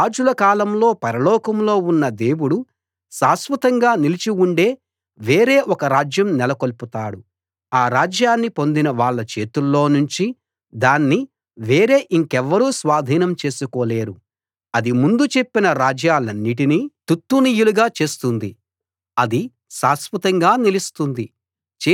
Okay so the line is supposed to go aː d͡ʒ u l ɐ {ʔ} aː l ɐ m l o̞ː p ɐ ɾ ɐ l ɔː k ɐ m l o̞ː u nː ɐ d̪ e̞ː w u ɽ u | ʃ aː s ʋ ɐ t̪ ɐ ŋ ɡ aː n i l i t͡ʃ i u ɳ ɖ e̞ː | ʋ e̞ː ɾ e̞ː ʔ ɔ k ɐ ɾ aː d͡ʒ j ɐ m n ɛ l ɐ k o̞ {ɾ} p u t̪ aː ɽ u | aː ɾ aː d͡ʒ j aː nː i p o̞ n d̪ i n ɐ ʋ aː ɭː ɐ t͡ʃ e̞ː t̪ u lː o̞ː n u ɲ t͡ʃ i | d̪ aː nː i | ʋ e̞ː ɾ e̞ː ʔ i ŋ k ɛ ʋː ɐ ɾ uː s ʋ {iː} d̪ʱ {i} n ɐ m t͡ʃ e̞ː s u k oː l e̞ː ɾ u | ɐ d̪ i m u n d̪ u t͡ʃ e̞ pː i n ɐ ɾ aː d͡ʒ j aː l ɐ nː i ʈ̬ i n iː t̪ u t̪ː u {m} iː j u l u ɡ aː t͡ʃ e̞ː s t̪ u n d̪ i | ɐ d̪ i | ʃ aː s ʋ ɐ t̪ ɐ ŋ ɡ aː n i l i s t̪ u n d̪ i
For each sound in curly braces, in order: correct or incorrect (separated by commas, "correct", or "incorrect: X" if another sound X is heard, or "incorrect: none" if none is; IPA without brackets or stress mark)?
incorrect: k, incorrect: l, incorrect: aː, incorrect: iː, incorrect: n